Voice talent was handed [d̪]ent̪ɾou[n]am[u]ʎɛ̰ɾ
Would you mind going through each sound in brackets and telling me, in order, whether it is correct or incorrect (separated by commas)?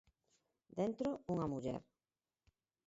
correct, incorrect, correct